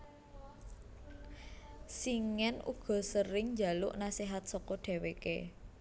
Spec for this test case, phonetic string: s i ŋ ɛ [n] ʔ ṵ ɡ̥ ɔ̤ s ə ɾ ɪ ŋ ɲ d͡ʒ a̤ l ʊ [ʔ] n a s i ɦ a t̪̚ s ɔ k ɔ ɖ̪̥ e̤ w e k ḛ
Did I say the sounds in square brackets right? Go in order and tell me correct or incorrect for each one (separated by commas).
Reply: correct, correct